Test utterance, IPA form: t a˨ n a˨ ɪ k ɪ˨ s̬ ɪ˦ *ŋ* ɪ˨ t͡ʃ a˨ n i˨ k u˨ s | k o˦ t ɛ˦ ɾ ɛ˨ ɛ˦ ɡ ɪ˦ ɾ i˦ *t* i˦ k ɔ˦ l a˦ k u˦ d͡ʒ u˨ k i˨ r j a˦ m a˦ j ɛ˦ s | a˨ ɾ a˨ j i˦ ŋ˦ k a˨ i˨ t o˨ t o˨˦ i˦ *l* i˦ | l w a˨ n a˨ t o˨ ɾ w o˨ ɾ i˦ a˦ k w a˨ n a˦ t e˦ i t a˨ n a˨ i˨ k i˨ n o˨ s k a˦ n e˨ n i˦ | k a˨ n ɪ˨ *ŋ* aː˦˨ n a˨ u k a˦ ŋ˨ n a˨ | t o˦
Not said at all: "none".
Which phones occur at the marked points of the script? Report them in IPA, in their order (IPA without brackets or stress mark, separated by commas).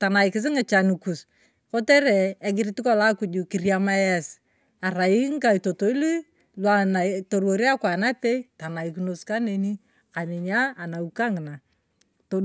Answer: ŋ, t, l, ɲ